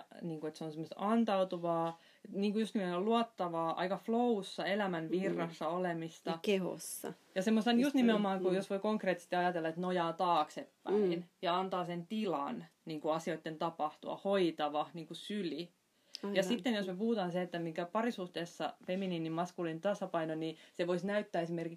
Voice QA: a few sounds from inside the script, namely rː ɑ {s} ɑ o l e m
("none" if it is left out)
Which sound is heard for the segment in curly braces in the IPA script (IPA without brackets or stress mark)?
sː